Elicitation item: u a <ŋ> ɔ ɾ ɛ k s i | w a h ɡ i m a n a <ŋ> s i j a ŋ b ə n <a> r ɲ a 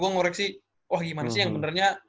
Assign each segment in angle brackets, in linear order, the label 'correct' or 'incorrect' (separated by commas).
correct, incorrect, incorrect